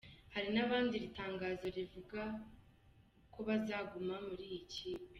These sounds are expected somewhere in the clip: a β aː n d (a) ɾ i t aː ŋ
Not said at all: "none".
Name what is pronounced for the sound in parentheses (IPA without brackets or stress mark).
i